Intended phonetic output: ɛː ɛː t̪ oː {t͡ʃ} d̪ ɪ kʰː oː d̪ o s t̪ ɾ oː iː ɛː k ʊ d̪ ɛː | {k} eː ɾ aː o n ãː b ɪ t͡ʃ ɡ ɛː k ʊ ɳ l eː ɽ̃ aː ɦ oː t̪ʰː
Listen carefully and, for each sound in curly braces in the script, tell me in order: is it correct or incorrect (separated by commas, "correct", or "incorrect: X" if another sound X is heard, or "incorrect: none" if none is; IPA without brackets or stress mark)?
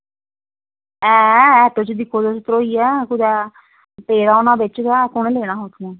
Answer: correct, incorrect: p